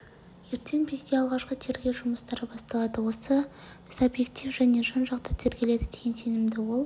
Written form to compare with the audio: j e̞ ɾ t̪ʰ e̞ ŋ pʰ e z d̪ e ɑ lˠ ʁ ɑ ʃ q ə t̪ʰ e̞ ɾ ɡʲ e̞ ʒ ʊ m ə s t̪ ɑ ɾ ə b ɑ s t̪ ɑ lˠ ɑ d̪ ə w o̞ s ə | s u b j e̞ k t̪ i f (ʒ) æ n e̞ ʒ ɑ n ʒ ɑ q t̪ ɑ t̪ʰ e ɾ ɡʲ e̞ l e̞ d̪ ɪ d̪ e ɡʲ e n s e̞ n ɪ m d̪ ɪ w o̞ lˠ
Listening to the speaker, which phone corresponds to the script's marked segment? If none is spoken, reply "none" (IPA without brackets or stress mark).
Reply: ʒ